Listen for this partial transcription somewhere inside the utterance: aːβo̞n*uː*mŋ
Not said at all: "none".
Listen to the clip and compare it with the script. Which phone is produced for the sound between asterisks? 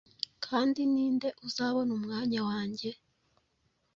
u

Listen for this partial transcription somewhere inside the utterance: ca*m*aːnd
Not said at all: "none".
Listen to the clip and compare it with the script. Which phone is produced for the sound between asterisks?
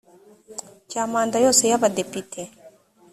m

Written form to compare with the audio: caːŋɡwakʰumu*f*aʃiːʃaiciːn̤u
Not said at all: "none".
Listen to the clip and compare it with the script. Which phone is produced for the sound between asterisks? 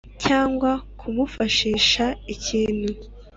f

